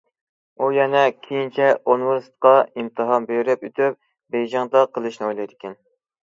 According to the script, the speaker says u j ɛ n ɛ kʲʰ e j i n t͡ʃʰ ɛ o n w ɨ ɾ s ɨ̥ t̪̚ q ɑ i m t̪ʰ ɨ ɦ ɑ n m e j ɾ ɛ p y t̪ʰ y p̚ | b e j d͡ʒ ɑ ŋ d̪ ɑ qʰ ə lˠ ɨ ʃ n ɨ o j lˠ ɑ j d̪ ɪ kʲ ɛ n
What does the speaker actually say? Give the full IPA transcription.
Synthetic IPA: u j ɛ n ɛ kʲʰ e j i n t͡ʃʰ ɛ o n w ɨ ɾ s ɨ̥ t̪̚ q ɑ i m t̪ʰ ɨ ɦ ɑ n b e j ɾ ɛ p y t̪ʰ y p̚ | b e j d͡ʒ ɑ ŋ d̪ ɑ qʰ ə lˠ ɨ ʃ n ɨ o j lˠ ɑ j d̪ ɪ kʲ ɛ n